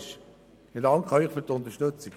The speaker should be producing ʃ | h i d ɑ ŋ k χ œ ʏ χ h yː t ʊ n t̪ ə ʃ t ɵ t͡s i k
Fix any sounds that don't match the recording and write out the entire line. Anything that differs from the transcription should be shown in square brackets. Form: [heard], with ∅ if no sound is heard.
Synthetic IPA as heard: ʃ | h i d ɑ ŋ k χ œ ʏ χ [f] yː t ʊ n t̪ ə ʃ t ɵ t͡s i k